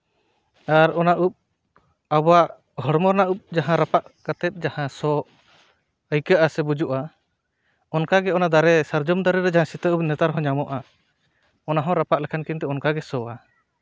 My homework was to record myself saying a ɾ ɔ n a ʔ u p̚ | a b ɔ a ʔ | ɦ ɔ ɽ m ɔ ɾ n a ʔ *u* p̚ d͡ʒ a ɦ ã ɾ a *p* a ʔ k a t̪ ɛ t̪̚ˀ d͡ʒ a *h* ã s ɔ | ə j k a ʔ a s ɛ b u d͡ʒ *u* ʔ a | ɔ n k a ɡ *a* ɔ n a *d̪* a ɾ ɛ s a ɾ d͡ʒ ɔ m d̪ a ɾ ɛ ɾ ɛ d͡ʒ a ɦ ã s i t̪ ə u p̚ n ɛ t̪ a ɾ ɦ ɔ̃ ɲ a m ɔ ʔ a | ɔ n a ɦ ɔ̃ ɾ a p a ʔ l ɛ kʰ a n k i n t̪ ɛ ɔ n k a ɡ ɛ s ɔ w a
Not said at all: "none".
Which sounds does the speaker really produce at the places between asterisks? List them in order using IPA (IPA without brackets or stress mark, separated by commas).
u, p, h, u, ɛ, d̪